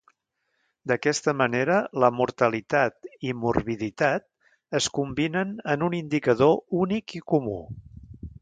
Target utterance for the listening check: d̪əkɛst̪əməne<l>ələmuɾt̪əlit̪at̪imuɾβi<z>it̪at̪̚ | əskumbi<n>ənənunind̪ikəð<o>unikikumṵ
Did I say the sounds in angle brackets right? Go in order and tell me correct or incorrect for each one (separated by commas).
incorrect, incorrect, correct, correct